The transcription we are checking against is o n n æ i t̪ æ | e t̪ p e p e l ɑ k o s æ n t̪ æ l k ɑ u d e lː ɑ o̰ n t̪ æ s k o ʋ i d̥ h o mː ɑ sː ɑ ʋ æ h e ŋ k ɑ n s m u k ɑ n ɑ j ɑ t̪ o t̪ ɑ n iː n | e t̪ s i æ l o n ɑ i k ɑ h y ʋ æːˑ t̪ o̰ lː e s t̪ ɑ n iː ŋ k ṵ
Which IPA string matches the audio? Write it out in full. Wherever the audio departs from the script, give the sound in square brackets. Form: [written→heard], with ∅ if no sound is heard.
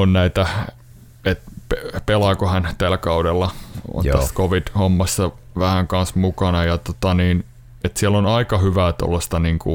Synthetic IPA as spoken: o n n æ i t̪ æ | e t̪ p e p e l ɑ k o [s→h] æ n t̪ æ l k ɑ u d e lː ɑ o̰ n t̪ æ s k o ʋ i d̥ h o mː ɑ sː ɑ ʋ æ h [e→æ] ŋ k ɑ n s m u k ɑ n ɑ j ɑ t̪ o t̪ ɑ n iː n | e t̪ s i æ l o n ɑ i k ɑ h y ʋ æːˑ t̪ o̰ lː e s t̪ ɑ n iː ŋ k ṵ